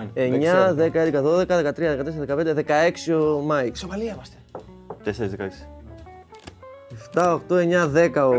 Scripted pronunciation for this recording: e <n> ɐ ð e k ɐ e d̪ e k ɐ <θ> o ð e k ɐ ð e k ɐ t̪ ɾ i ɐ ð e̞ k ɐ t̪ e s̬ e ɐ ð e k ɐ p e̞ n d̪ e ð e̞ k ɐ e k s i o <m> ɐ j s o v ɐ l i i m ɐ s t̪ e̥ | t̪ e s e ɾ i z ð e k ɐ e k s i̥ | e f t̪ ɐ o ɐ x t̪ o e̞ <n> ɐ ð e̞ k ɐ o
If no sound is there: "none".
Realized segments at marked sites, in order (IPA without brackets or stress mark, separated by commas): ɲ, ð, m, ɲ